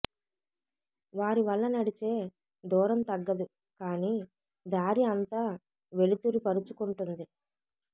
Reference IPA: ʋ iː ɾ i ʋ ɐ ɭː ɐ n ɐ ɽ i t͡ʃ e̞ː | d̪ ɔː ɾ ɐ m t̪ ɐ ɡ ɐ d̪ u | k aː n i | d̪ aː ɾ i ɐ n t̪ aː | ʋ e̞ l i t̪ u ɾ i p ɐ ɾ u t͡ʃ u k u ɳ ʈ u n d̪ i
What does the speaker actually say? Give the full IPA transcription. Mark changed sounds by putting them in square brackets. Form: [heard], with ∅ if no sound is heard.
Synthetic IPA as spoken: ʋ [aː] ɾ i ʋ ɐ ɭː ɐ n ɐ ɽ i t͡ʃ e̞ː | d̪ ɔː ɾ ɐ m t̪ ɐ [ɡː] ɐ d̪ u | k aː n i | d̪ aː ɾ i ɐ n t̪ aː | ʋ e̞ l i t̪ u ɾ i p ɐ ɾ u t͡ʃ u k u ɳ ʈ u n d̪ i